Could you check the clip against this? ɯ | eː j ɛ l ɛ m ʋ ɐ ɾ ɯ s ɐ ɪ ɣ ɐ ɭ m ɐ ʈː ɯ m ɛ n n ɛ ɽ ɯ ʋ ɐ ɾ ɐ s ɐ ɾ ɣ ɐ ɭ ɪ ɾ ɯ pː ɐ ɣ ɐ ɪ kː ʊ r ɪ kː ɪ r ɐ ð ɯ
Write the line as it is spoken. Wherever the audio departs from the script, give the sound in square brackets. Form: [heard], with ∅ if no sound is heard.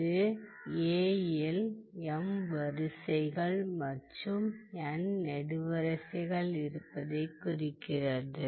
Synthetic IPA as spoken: ɯ | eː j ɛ l ɛ m ʋ ɐ ɾ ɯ s ɐ ɪ ɣ ɐ ɭ m ɐ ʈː ɯ m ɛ n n ɛ ɽ ɯ ʋ ɐ ɾ ɐ s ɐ [∅] ɣ ɐ ɭ ɪ ɾ ɯ pː ɐ [ð] ɐ ɪ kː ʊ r ɪ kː ɪ r ɐ ð ɯ

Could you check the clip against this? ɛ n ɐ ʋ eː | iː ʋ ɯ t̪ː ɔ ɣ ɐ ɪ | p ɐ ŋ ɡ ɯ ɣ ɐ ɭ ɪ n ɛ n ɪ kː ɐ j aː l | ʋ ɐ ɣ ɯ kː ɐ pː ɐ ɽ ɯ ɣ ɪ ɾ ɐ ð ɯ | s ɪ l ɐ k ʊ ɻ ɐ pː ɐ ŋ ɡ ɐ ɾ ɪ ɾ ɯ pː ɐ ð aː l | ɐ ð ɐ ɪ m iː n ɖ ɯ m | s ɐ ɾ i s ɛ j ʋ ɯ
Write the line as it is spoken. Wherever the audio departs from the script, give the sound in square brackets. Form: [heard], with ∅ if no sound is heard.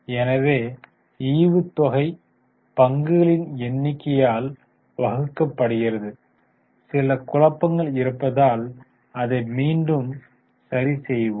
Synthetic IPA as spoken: ɛ n ɐ ʋ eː | iː ʋ ɯ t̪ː ɔ ɣ ɐ ɪ | p ɐ ŋ ɡ ɯ ɣ ɐ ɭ ɪ n ɛ [nː] ɪ kː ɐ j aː l | ʋ ɐ ɣ ɯ kː ɐ pː ɐ ɽ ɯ ɣ ɪ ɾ ɐ ð ɯ | s ɪ l ɐ k ʊ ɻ ɐ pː ɐ ŋ ɡ ɐ [ɭ] ɪ ɾ ɯ pː ɐ ð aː l | ɐ ð ɐ ɪ m iː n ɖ ɯ m | s ɐ ɾ i s ɛ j ʋ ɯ

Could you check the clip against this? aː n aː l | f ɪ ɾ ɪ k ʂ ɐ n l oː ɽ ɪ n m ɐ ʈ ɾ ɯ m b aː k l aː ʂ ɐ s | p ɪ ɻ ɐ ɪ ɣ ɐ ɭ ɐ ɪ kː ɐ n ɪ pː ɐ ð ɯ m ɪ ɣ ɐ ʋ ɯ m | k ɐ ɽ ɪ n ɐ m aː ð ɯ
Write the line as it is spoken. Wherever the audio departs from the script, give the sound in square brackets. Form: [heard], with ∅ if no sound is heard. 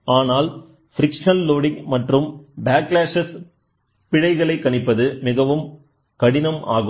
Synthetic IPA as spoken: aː n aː l | f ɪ ɾ ɪ k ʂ ɐ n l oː ɽ ɪ [ŋ] m ɐ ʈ [r] ɯ m b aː k l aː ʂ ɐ s | p ɪ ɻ ɐ ɪ ɣ ɐ ɭ ɐ ɪ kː ɐ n ɪ pː ɐ ð ɯ m ɪ ɣ ɐ ʋ ɯ m | k ɐ ɽ ɪ n ɐ m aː [ɣ] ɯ

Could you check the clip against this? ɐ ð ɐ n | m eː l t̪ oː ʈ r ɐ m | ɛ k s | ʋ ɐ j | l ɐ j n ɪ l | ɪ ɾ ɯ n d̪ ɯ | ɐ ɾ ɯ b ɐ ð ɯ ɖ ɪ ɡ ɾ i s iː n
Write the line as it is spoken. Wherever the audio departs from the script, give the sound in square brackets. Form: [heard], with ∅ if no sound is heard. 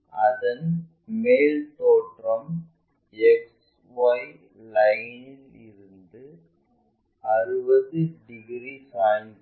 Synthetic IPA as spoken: ɐ ð ɐ n | m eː l t̪ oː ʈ r ɐ m | ɛ k s | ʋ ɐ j | l ɐ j n ɪ l | ɪ ɾ ɯ n d̪ ɯ | ɐ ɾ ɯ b ɐ ð ɯ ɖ ɪ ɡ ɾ i s [aː] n

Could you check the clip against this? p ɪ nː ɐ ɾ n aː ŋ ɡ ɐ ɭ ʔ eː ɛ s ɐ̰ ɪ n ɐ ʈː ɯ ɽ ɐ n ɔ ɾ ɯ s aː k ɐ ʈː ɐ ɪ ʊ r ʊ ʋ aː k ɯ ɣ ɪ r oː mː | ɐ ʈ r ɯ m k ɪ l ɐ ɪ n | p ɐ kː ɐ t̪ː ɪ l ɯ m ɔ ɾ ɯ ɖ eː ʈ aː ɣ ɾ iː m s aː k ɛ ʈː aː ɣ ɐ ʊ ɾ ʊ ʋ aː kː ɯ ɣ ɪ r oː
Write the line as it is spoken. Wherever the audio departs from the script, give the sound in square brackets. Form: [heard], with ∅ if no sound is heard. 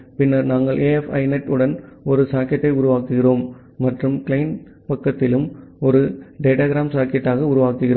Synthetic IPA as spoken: p ɪ nː ɐ ɾ n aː ŋ ɡ ɐ ɭ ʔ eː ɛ [f] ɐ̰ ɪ n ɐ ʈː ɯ ɽ ɐ n ɔ ɾ ɯ s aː k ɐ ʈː ɐ ɪ ʊ [ɾ] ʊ ʋ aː k ɯ ɣ ɪ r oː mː | ɐ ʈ r ɯ m k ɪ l ɐ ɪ n | p ɐ kː ɐ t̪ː ɪ l ɯ m ɔ ɾ ɯ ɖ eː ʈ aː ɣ ɾ [aː] m s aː k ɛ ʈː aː ɣ ɐ ʊ ɾ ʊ ʋ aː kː ɯ ɣ ɪ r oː

